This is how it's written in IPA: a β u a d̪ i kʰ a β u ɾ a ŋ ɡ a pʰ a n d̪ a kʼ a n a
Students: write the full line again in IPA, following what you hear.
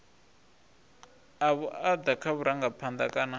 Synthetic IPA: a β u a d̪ a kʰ a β u ɾ a ŋ ɡ a pʰ a n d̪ a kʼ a n a